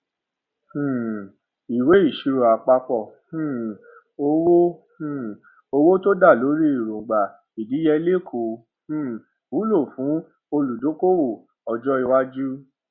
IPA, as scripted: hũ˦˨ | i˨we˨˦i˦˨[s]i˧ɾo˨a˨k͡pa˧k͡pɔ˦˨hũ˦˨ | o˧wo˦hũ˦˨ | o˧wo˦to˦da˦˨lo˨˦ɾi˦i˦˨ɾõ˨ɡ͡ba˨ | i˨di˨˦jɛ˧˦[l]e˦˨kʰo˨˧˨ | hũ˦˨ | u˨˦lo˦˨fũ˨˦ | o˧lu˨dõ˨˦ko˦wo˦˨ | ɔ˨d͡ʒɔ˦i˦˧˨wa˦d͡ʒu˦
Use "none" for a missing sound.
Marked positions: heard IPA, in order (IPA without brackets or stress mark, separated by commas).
ʃ, l